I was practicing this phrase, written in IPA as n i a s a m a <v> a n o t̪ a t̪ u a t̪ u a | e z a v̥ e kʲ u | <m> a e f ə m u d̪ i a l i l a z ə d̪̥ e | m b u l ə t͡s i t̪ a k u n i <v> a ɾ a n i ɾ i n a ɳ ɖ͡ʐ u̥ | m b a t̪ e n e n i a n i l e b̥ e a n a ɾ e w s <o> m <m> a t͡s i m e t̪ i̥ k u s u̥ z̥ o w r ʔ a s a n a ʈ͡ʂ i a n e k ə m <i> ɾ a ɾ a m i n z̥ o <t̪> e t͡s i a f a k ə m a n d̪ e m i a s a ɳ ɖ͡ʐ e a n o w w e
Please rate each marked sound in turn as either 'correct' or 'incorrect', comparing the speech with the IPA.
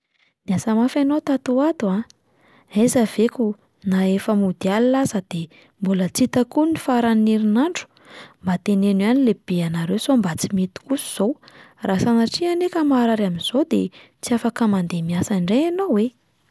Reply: incorrect: f, incorrect: n, incorrect: f, correct, incorrect: b, incorrect: a, incorrect: d̪

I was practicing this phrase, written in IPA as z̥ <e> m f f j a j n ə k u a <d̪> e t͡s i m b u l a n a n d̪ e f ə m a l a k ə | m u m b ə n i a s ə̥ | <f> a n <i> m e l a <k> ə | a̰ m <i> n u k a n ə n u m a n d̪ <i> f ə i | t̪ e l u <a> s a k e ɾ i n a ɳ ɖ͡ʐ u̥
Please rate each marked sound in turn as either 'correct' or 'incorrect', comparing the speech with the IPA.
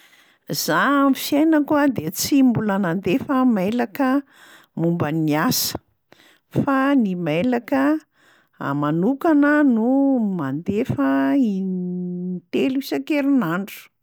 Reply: incorrect: a, correct, correct, correct, correct, incorrect: a, incorrect: e, incorrect: i

